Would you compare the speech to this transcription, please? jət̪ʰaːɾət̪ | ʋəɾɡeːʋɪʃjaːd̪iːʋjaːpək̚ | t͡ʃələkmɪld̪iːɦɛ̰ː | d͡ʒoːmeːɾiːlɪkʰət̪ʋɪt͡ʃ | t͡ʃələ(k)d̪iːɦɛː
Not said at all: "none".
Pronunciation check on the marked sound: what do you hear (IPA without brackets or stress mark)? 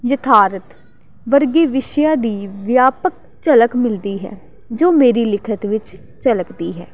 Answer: k